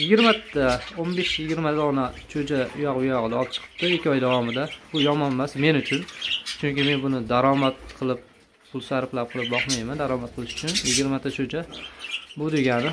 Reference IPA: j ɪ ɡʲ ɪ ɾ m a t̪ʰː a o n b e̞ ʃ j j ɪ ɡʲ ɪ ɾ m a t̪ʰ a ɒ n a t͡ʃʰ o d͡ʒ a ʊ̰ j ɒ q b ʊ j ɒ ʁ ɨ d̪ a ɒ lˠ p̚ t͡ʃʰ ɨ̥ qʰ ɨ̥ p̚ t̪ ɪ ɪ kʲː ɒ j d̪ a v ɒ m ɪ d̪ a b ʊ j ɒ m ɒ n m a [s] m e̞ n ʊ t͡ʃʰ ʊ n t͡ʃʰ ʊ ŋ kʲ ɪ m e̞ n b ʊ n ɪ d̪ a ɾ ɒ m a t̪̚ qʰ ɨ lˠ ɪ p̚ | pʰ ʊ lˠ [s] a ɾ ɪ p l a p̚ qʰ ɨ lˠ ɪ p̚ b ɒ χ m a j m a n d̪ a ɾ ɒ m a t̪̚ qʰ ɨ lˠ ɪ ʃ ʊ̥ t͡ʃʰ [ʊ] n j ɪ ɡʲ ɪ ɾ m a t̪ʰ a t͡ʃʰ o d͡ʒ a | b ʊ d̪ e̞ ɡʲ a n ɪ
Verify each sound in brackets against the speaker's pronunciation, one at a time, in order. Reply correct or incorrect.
correct, correct, correct

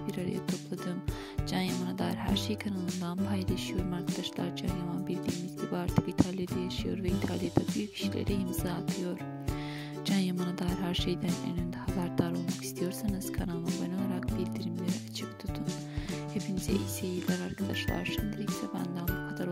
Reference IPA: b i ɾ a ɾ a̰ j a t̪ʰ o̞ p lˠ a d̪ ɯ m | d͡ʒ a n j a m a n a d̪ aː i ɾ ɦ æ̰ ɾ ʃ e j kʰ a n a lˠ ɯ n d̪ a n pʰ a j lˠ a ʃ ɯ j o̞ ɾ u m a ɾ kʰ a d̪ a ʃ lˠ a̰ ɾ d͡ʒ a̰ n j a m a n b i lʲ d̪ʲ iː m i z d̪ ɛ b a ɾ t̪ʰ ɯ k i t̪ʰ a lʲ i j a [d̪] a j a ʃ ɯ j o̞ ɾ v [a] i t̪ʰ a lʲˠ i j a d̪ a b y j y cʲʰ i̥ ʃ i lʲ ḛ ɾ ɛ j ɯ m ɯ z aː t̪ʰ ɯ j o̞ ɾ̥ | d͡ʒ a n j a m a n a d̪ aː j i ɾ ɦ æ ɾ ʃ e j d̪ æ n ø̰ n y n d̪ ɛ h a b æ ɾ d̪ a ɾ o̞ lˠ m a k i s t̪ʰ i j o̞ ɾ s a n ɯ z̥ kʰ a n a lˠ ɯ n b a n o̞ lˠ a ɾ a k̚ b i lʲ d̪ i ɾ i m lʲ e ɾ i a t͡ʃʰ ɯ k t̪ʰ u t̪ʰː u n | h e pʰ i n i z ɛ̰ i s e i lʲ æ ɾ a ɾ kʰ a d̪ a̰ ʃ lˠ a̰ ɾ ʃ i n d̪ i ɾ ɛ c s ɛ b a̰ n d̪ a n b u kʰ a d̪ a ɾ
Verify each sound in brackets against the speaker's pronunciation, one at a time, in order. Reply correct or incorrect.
correct, incorrect

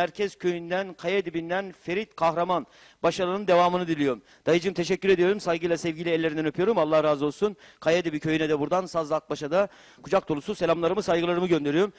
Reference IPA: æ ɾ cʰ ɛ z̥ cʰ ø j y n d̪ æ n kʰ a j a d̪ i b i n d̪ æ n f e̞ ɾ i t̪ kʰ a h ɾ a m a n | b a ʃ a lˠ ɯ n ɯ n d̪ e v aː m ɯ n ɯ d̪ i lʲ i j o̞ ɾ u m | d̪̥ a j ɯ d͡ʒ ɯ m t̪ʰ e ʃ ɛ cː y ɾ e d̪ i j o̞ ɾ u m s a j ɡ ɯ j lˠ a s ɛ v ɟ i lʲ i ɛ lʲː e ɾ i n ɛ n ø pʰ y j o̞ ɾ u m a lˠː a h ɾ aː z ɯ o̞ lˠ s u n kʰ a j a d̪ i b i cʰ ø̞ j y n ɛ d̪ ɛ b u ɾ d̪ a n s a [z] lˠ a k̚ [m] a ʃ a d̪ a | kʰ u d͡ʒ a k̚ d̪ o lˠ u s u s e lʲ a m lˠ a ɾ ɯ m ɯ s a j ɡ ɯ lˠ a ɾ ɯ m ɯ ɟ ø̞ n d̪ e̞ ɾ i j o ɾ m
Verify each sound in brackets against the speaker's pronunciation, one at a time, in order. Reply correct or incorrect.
correct, incorrect

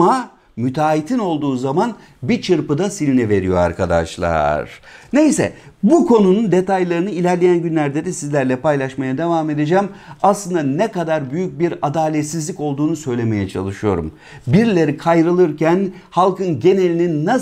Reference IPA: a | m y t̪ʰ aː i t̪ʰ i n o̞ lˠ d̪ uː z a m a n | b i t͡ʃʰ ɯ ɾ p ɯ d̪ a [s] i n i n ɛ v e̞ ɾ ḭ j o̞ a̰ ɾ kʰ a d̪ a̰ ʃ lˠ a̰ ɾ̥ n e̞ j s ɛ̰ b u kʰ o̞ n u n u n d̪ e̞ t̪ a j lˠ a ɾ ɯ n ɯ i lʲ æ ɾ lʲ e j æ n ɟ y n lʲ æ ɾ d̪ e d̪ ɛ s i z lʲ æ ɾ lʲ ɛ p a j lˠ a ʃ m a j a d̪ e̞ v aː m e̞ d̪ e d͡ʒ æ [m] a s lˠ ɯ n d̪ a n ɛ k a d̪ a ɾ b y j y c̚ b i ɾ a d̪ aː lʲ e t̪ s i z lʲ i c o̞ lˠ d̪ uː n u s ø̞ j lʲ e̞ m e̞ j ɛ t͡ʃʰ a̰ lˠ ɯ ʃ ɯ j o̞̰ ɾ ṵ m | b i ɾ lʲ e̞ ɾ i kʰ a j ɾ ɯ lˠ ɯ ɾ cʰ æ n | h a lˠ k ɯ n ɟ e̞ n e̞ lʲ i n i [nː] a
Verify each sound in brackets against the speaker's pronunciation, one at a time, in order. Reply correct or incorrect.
correct, correct, correct

